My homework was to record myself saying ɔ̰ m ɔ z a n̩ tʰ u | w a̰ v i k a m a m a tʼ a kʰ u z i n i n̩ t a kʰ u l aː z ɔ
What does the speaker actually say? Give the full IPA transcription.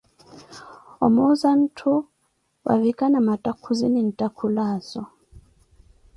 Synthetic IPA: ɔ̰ m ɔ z a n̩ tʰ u | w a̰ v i k a n a m a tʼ a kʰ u z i n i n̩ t a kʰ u l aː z ɔ